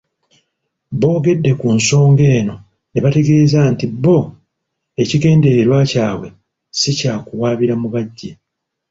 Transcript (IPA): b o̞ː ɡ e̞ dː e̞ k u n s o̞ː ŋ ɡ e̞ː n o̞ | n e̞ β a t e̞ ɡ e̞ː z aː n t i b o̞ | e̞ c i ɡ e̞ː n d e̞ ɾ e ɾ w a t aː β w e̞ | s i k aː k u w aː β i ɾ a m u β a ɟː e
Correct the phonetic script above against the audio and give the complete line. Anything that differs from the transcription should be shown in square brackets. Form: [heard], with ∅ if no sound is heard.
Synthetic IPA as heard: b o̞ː ɡ e̞ dː e̞ k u n s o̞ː ŋ ɡ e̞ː n o̞ | n e̞ β a t e̞ ɡ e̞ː z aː n t i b o̞ | e̞ c i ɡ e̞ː n d e̞ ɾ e ɾ w a [c] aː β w e̞ | s i [c] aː k u w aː β i ɾ a m u β a ɟː e